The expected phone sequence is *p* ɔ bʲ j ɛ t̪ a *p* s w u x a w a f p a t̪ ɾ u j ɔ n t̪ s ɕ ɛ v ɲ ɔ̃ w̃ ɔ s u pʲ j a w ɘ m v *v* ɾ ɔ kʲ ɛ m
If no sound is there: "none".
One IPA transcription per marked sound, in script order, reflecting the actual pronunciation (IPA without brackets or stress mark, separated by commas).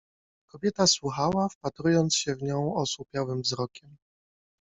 k, none, z